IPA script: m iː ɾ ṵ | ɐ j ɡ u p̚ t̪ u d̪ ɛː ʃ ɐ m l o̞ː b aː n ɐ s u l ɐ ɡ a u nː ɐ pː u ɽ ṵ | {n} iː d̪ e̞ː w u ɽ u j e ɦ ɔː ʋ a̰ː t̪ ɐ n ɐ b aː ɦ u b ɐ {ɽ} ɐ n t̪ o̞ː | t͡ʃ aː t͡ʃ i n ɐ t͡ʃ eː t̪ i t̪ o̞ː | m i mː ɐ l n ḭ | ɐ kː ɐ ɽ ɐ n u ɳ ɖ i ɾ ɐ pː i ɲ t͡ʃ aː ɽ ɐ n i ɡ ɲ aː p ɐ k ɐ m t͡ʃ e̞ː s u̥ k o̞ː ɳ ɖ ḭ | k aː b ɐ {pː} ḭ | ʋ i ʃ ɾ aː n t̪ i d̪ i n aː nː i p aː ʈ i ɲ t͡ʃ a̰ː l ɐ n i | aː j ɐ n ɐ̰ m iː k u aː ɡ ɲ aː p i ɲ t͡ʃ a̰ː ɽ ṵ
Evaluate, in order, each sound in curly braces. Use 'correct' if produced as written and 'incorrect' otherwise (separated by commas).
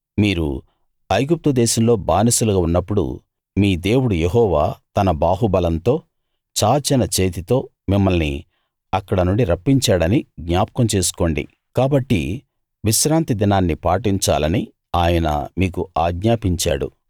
incorrect, incorrect, incorrect